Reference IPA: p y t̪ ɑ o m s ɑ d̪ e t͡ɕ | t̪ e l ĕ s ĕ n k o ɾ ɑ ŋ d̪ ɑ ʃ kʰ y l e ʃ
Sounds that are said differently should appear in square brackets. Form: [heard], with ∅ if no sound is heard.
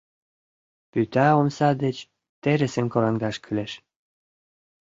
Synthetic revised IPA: p y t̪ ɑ o m s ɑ d̪ e t͡ɕ | t̪ e [ɾ] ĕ s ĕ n k o ɾ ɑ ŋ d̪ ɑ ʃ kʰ y l e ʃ